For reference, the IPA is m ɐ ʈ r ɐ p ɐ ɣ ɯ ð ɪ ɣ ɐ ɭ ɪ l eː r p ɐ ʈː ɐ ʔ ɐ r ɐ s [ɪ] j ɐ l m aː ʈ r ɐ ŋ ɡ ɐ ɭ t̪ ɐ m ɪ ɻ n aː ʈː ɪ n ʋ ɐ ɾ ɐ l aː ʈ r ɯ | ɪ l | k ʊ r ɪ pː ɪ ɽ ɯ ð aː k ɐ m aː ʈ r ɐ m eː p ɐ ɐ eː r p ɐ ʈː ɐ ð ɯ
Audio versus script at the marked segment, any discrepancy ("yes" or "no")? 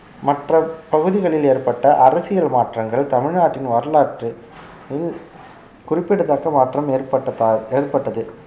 no